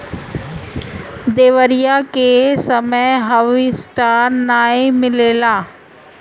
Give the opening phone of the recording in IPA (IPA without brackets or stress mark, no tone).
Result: d̪